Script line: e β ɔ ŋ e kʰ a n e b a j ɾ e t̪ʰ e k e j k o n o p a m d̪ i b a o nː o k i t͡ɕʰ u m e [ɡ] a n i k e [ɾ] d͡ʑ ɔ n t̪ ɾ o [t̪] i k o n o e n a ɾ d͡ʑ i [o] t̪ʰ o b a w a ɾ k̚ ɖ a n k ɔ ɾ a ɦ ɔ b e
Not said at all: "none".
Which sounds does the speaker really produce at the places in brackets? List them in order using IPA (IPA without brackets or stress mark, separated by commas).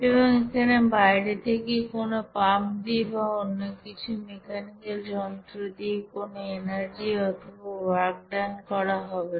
k, l, d̪, ɔ